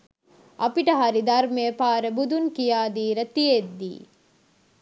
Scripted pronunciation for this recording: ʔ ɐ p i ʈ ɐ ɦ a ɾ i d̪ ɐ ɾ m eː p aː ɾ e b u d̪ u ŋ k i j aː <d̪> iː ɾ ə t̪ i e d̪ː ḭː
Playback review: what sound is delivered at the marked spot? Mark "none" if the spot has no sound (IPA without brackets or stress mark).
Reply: d̪